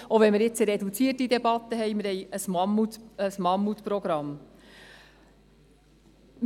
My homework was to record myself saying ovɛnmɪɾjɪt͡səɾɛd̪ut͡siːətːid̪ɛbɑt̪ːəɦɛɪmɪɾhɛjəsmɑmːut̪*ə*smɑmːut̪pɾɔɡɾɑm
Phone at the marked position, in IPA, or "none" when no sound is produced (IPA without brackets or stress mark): ə